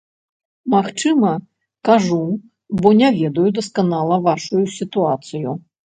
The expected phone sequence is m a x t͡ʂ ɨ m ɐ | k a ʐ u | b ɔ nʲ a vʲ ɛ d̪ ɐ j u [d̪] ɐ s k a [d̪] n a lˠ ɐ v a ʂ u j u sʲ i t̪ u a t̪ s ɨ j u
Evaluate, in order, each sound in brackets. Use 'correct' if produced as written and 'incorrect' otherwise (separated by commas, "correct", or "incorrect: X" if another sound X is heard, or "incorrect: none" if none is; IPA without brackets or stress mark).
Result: correct, incorrect: none